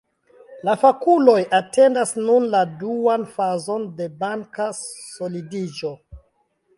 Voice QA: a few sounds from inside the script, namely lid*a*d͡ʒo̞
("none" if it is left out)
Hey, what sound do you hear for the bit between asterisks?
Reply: i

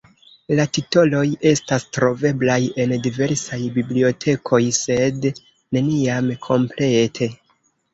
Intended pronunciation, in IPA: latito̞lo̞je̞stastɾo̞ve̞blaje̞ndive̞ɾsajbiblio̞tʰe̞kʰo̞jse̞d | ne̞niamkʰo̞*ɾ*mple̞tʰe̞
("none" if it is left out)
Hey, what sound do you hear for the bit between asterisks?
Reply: none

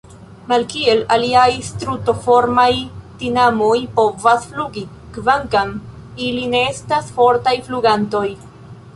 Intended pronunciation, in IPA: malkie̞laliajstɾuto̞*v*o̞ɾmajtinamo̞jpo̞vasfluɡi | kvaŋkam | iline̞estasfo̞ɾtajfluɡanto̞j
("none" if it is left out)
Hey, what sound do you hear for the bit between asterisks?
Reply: f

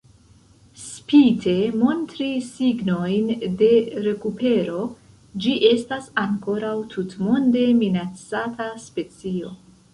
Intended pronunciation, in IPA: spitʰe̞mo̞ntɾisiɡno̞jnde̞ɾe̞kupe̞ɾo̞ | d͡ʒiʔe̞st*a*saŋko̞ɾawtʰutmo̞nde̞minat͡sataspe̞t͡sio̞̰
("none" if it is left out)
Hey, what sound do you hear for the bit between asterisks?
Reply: a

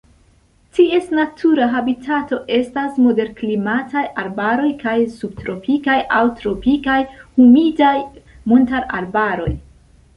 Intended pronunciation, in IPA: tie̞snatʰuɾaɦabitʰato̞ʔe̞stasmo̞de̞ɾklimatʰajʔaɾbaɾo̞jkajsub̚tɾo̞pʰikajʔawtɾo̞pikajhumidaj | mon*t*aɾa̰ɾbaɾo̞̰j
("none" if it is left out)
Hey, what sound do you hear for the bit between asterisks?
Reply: t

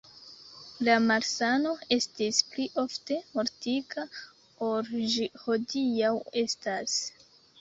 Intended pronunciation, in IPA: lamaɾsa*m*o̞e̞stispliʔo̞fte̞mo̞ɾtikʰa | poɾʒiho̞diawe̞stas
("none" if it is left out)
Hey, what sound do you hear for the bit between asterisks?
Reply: n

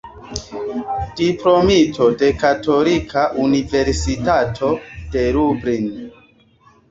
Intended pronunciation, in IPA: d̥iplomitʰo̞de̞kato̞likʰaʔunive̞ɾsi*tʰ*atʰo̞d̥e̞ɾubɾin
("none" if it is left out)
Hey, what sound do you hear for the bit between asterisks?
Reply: t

